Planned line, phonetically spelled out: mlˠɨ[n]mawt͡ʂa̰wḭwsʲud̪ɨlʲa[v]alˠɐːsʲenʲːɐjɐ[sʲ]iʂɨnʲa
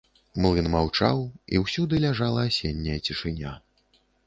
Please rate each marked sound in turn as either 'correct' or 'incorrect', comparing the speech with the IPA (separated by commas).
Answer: correct, incorrect, incorrect